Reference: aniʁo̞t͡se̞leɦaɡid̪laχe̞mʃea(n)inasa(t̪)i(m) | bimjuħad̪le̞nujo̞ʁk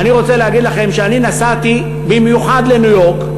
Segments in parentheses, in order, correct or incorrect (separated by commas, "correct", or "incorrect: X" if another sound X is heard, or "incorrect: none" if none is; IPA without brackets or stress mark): correct, correct, incorrect: none